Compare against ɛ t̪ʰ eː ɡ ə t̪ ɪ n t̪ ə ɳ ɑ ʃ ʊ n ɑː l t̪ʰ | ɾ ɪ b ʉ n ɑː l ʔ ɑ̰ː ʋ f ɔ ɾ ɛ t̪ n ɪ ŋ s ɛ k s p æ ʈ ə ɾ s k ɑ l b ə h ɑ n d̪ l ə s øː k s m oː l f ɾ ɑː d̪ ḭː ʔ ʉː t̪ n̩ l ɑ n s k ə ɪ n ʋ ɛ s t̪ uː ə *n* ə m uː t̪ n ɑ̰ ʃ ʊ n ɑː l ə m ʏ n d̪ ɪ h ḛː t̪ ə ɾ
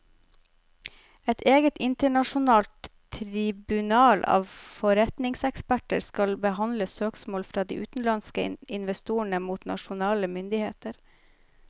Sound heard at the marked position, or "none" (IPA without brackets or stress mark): ɳ